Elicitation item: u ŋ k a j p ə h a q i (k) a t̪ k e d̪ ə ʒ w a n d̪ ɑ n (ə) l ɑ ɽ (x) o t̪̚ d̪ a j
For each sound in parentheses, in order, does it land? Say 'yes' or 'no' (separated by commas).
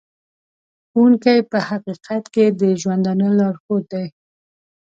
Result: no, yes, yes